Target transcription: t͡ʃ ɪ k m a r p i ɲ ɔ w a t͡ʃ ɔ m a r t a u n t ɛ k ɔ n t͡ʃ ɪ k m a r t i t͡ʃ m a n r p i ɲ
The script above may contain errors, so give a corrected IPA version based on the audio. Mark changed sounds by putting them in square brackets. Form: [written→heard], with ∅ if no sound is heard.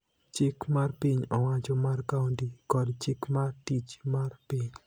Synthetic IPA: t͡ʃ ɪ k m a r p i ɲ ɔ w a t͡ʃ ɔ m a r [t→k] a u n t [ɛ→i] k ɔ [n→d] t͡ʃ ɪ k m a r t i t͡ʃ m a [n→∅] r p i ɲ